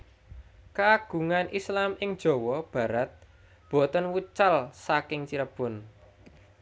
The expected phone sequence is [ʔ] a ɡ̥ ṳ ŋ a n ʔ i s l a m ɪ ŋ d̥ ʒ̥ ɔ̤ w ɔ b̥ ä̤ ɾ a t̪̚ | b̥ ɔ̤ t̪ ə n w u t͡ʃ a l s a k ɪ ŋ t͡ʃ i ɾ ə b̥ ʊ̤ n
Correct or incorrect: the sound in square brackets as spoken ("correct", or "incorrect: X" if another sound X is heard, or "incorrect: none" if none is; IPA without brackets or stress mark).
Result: incorrect: k